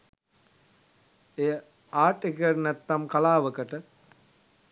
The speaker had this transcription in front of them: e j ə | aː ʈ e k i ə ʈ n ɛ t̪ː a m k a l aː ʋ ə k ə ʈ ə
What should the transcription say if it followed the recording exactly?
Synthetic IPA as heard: e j ə | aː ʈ e k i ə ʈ n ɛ t̪ː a m k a l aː ʋ ə k ə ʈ ə

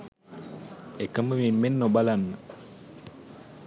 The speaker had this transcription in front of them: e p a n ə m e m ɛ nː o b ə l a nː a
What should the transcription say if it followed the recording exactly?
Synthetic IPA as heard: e k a m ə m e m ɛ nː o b a l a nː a

